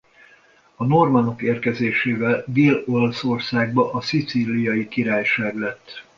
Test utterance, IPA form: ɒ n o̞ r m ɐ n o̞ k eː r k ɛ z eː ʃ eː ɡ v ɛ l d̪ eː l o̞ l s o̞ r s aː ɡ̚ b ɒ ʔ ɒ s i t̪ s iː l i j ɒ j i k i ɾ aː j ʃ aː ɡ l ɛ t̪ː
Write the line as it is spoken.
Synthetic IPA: ɒ n o̞ r m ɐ n o̞ k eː r k ɛ z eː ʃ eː v ɛ l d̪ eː l o̞ l s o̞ r s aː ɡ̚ b ɒ ʔ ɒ s i t̪ s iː l i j ɒ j i k i ɾ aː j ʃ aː ɡ l ɛ t̪ː